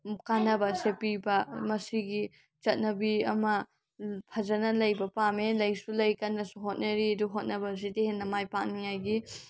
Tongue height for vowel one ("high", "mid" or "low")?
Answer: low